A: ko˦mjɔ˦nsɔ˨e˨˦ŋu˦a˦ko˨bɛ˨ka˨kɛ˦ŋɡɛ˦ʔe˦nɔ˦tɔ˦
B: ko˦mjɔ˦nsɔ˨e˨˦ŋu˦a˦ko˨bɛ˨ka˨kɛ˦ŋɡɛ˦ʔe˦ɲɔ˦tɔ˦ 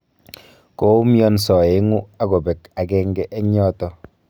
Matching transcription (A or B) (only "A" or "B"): B